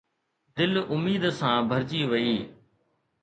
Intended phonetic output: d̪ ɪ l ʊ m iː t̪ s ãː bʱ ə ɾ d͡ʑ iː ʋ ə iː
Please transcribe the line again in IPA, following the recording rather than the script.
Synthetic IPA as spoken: d̪ ɪ l ʊ m iː d̪ s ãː bʱ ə ɾ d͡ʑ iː ʋ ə iː